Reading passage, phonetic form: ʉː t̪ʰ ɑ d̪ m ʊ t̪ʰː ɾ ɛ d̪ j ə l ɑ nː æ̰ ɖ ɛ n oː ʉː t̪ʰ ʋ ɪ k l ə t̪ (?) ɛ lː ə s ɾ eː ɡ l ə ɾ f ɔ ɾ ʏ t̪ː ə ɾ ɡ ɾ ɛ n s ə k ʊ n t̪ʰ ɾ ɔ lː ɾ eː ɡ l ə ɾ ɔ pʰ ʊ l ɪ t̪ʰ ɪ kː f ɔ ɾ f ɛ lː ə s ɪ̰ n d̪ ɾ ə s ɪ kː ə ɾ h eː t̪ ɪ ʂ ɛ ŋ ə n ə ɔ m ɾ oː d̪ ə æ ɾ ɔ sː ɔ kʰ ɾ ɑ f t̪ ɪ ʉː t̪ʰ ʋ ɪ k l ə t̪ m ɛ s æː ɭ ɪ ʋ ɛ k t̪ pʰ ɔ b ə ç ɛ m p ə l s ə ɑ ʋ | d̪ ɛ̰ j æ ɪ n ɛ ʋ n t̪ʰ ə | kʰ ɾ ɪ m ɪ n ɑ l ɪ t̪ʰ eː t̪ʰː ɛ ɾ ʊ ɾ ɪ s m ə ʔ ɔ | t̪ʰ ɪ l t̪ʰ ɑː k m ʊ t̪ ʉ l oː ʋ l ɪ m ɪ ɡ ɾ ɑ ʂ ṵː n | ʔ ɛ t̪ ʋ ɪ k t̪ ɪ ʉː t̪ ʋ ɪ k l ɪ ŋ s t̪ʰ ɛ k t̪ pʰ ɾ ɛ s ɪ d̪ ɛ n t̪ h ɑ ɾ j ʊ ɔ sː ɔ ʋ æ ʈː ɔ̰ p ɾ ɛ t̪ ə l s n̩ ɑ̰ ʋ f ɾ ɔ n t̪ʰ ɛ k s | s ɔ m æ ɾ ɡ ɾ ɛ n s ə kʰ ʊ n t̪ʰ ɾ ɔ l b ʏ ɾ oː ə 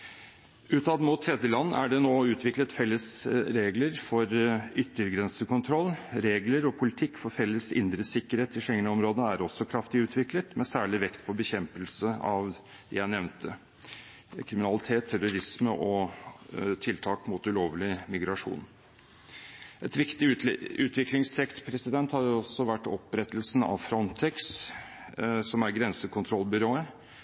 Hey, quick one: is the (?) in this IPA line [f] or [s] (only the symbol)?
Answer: f